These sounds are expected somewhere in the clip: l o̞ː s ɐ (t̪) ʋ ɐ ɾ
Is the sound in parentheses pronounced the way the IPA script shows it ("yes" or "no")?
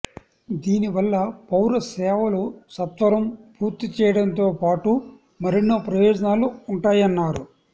yes